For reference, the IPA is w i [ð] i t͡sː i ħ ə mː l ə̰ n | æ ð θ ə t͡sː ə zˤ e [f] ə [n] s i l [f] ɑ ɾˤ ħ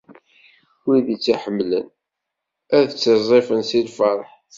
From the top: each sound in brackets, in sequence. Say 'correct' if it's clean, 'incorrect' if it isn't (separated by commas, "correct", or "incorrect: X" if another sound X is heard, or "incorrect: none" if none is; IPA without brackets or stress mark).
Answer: correct, correct, correct, correct